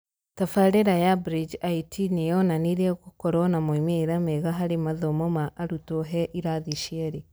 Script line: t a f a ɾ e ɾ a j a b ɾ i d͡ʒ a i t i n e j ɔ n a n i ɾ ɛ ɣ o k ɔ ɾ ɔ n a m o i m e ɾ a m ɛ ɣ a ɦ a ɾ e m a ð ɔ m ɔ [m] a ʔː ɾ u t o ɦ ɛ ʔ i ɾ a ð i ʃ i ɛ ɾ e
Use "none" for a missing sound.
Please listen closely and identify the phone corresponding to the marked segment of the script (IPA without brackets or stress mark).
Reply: m